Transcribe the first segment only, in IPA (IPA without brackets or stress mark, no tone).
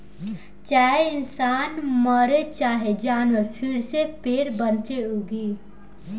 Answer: t͡ʃ